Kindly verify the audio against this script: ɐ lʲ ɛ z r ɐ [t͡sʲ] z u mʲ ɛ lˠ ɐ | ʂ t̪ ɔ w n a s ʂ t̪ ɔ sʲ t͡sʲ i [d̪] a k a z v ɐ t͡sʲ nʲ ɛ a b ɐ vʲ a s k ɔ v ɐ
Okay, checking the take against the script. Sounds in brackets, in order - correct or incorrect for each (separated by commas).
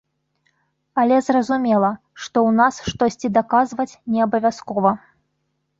incorrect, correct